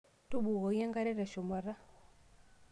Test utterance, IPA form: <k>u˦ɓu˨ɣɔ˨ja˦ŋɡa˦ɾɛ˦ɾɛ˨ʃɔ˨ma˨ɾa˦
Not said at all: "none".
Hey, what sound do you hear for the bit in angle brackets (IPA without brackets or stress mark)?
t